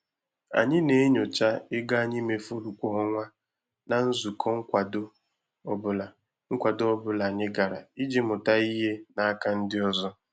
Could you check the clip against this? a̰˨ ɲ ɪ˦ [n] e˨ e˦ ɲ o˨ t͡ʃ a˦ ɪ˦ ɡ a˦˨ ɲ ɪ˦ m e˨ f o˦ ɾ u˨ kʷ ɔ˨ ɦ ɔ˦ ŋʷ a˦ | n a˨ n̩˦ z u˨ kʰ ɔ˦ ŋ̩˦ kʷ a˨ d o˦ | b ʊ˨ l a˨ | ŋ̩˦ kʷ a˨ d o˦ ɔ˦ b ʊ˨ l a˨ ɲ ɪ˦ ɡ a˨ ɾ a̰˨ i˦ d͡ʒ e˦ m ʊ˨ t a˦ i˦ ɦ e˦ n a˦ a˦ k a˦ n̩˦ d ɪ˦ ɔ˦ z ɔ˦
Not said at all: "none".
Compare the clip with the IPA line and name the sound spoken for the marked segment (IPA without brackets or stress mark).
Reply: n